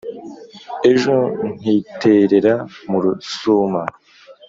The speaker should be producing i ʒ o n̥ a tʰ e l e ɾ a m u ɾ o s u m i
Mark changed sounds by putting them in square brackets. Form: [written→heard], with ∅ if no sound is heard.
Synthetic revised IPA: [i→e] ʒ o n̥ [a→i] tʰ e [l→ɾ] e ɾ a m u ɾ [o→u] s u m [i→a]